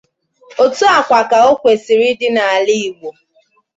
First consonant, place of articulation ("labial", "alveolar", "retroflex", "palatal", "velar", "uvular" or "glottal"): alveolar